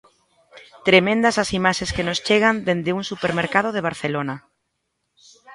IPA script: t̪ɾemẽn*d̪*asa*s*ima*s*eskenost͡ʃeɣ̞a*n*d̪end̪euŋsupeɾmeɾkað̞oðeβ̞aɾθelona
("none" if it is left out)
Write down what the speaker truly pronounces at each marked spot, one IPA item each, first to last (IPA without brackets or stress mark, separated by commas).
d̪, s, ʃ, n